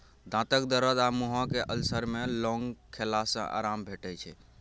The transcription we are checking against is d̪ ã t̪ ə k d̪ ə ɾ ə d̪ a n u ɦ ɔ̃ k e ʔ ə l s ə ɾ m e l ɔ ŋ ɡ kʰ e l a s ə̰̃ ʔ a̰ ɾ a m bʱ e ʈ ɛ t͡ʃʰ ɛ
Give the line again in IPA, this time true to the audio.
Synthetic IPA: d̪ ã t̪ ə k d̪ ə ɾ ə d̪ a m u ɦ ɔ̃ k e ʔ ə l s ə ɾ m e l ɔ ŋ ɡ kʰ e l a s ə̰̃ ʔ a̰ ɾ a m bʱ e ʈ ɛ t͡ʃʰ ɛ